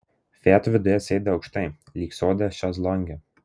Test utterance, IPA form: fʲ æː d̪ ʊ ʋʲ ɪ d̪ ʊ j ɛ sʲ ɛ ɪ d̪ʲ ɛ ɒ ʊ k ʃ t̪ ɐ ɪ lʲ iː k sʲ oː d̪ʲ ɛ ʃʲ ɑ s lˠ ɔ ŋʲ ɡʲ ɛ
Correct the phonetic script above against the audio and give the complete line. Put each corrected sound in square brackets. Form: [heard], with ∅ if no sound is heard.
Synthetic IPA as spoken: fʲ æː [t̪] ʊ ʋʲ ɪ d̪ ʊ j ɛ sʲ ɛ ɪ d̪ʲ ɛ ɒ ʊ k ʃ t̪ ɐ ɪ lʲ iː k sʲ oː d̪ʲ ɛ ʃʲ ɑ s lˠ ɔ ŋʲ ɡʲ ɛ

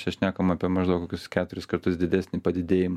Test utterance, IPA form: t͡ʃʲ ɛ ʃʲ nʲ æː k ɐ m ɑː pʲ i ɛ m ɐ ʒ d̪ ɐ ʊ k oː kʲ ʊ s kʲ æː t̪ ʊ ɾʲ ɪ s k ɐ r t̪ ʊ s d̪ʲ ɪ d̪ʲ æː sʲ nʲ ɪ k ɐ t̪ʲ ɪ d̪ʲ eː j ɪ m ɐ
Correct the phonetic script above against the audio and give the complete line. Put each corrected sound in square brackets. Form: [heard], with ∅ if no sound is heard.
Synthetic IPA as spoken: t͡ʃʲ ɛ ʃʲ nʲ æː k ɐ m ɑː pʲ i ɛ m ɐ ʒ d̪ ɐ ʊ k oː kʲ ʊ s kʲ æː t̪ ʊ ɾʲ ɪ s k ɐ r t̪ ʊ s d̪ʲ ɪ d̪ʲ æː sʲ nʲ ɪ [p] ɐ [d̪ʲ] ɪ d̪ʲ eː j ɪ m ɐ

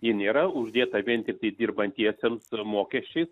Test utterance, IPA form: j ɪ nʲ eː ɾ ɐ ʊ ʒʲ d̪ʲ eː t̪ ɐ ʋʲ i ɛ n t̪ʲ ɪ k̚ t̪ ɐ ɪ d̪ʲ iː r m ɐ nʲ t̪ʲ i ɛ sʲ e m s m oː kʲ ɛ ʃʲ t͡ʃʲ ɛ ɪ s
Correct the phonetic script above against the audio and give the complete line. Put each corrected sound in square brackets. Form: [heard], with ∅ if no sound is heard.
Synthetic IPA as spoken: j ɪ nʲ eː ɾ ɐ ʊ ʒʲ d̪ʲ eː t̪ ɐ ʋʲ i ɛ n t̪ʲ ɪ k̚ t̪ ɐ ɪ d̪ʲ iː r [b] ɐ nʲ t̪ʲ i ɛ sʲ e m s m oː kʲ ɛ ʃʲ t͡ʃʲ ɛ ɪ s

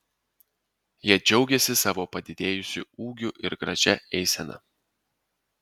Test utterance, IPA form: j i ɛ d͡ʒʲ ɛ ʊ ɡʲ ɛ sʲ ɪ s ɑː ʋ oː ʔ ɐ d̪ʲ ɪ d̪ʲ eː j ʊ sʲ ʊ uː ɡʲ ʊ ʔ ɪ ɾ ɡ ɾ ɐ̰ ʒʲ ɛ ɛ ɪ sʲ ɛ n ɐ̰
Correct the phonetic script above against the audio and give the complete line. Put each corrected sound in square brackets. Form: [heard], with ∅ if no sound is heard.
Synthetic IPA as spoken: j i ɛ d͡ʒʲ ɛ ʊ ɡʲ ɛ sʲ ɪ s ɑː ʋ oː [p] ɐ d̪ʲ ɪ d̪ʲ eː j ʊ sʲ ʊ uː ɡʲ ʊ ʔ ɪ ɾ ɡ ɾ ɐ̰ ʒʲ ɛ ɛ ɪ sʲ ɛ n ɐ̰

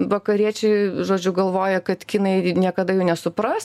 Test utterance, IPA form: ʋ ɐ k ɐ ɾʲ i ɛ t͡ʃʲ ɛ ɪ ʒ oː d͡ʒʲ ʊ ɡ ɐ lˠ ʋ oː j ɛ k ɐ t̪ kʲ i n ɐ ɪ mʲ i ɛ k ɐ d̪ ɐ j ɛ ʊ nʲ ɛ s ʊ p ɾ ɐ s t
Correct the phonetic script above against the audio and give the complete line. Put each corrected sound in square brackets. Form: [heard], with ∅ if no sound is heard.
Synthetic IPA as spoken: ʋ ɐ k ɐ ɾʲ i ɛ t͡ʃʲ ɛ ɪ ʒ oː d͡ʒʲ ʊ ɡ ɐ lˠ ʋ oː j ɛ k ɐ t̪ kʲ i n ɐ ɪ [nʲ] i ɛ k ɐ d̪ ɐ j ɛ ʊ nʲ ɛ s ʊ p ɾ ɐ s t

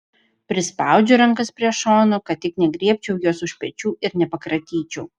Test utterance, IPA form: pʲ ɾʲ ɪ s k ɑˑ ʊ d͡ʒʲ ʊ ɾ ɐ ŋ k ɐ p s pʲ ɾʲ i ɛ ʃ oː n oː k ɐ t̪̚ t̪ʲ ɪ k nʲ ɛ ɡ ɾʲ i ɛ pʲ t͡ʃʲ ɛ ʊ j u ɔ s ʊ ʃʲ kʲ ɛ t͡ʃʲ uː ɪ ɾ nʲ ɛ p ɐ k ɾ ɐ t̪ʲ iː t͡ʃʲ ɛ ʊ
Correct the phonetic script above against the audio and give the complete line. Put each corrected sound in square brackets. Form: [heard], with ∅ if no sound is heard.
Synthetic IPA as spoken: pʲ ɾʲ ɪ s [p] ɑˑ ʊ d͡ʒʲ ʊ ɾ ɐ ŋ k ɐ [∅] s pʲ ɾʲ i ɛ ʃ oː n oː k ɐ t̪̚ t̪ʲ ɪ k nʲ ɛ ɡ ɾʲ i ɛ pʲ t͡ʃʲ ɛ ʊ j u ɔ s ʊ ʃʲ [pʲ] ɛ t͡ʃʲ uː ɪ ɾ nʲ ɛ p ɐ k ɾ ɐ t̪ʲ iː t͡ʃʲ ɛ ʊ

